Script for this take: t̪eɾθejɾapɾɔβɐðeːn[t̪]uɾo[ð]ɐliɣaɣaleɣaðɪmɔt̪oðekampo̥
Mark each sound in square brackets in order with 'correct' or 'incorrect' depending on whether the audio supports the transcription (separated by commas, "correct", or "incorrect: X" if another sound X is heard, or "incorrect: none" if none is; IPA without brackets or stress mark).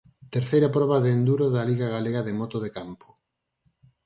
incorrect: d̪, correct